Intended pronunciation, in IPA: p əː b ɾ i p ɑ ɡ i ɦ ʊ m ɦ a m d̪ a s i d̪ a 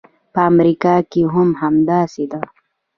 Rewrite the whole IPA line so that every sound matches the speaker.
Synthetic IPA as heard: p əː m ɾ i k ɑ k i ɦ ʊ m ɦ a m d̪ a s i d̪ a